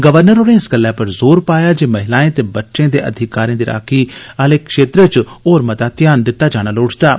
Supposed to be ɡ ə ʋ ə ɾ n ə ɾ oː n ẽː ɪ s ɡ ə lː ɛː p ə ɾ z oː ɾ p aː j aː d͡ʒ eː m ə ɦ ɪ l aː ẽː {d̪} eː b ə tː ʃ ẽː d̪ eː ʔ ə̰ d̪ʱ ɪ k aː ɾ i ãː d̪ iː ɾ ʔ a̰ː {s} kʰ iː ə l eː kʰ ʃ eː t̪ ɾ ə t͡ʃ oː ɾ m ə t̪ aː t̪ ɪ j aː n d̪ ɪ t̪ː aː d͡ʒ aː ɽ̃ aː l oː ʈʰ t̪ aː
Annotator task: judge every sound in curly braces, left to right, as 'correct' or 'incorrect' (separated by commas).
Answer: incorrect, incorrect